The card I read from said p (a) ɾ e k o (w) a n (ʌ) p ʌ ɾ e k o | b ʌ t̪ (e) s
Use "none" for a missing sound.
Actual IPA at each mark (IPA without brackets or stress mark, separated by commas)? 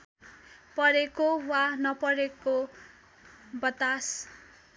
ʌ, w, ʌ, a